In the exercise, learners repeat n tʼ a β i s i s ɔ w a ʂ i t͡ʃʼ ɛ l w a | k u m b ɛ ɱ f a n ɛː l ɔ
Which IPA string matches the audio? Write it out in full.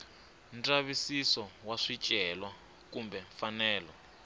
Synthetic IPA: n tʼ a β i s i s ɔ w a ʂ i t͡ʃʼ ɛ l w a | k u m b ɛ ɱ f a n ɛː l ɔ